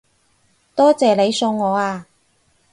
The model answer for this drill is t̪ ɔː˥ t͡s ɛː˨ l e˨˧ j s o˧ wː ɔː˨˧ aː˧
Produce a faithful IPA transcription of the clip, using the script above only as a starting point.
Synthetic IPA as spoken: t̪ ɔː˥ t͡s ɛː˨ l e˨˧ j s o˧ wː ɔː˨˧ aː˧

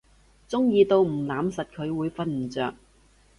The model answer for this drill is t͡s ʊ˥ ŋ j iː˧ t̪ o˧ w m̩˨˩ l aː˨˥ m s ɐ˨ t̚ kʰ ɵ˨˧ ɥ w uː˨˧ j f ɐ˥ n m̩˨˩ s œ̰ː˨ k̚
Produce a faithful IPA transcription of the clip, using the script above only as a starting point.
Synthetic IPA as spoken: t͡s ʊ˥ ŋ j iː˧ t̪ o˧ w m̩˨˩ l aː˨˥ m s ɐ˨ t̚ kʰ ɵ˨˧ ɥ w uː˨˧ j f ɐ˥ n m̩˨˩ t͡s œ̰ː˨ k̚

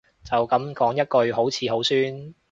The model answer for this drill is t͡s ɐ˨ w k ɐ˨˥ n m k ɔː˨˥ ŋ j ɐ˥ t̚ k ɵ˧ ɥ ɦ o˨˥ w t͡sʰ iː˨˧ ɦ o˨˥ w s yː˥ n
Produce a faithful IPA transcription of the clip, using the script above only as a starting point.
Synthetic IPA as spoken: t͡s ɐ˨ w k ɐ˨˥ m k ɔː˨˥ ŋ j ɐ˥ t̚ k ɵ˧ ɥ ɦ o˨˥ w t͡sʰ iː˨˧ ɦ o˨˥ w s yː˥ n

